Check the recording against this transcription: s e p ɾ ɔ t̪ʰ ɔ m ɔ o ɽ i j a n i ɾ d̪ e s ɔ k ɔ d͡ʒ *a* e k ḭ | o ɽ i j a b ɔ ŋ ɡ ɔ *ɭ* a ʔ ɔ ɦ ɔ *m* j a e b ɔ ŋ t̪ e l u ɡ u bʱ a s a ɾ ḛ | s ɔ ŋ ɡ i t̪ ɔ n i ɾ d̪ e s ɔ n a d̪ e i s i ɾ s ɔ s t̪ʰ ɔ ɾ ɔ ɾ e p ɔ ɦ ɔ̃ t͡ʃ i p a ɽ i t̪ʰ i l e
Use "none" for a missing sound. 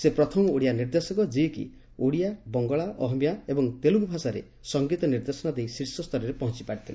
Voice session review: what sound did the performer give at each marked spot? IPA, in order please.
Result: i, ɭ, m

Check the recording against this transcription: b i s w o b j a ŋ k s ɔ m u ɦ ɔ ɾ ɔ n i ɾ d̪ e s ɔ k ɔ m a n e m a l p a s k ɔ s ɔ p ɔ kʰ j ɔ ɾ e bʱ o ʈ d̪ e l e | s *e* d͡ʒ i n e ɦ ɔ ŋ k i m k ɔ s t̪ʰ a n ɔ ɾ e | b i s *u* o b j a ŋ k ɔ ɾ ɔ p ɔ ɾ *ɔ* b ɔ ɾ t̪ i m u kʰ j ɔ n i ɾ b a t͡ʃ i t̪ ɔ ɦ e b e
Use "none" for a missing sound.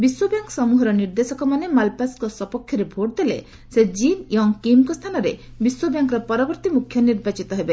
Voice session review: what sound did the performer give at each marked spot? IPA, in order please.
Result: e, w, ɔ

